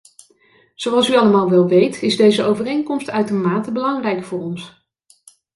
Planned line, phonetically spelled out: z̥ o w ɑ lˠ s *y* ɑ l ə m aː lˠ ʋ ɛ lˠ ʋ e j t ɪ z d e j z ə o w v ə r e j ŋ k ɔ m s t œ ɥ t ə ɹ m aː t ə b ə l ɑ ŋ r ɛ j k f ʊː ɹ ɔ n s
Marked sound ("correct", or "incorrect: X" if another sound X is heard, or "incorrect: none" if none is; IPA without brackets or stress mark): correct